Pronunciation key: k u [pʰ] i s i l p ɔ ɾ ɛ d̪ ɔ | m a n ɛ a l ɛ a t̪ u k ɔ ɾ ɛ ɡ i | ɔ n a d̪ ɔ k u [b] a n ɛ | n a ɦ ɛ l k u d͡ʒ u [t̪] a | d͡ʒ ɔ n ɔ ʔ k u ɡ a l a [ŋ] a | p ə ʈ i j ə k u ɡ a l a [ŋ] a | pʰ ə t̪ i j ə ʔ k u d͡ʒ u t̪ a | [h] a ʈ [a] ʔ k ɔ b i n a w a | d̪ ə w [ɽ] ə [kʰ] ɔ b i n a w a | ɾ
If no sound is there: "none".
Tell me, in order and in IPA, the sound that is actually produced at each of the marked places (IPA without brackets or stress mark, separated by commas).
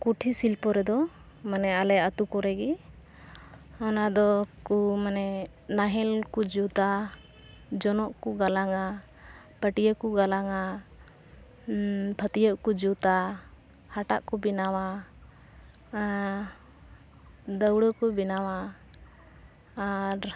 ʈʰ, m, t̪, ŋ, ŋ, h, a, ɽ, k